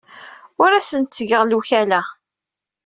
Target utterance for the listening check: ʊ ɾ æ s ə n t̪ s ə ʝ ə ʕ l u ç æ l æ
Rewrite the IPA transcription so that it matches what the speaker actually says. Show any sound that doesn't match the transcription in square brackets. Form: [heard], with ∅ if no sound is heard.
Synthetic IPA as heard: ʊ ɾ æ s ə n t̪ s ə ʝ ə [ʁ] l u ç æ l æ